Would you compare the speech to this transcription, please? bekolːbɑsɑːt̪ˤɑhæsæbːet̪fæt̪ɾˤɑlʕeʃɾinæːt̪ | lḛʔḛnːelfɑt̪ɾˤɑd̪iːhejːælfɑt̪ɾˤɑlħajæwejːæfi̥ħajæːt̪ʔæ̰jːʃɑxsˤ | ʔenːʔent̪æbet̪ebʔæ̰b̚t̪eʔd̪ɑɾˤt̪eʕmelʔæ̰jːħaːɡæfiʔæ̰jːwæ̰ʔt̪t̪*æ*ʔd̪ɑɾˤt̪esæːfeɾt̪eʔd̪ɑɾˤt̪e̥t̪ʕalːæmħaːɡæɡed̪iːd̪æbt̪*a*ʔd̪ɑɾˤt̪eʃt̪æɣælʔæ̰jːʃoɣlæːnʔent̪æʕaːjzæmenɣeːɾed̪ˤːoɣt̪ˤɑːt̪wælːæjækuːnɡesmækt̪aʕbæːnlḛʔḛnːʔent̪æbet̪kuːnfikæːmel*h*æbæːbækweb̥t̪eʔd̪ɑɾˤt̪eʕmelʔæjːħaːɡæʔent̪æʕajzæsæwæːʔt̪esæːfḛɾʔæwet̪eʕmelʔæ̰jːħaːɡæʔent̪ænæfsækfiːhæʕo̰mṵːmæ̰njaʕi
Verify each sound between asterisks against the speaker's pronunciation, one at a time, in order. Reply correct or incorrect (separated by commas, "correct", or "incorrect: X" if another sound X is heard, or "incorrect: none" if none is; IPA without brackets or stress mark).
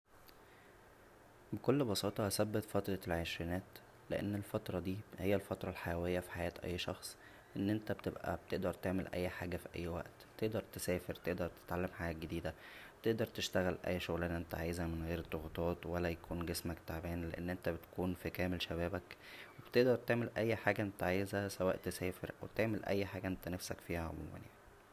incorrect: e, incorrect: e, incorrect: ʃ